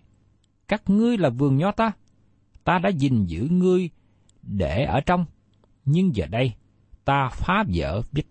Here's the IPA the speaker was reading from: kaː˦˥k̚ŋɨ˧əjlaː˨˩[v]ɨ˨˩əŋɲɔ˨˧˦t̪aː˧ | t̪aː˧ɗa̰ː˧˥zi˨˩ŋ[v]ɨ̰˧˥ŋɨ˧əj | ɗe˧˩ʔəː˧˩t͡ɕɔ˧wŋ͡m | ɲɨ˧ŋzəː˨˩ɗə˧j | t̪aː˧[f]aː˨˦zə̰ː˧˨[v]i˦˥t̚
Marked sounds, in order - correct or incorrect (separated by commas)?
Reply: correct, incorrect, correct, correct